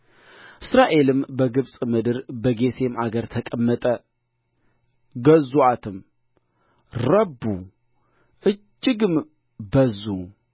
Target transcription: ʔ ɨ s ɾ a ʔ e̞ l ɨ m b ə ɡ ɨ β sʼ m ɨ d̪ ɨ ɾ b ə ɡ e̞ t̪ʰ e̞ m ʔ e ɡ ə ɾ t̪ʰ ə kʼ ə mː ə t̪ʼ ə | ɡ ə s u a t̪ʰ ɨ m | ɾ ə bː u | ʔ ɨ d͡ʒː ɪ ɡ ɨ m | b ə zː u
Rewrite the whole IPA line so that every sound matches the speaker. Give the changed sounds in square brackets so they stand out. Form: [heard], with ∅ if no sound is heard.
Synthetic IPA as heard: ʔ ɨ s ɾ a ʔ e̞ l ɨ m b ə ɡ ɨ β sʼ m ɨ d̪ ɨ ɾ b ə ɡ e̞ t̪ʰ e̞ m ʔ [a] ɡ ə ɾ t̪ʰ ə kʼ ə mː ə t̪ʼ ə | ɡ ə [z] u a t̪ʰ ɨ m | ɾ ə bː u | ʔ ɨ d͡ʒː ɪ ɡ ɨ m | b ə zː u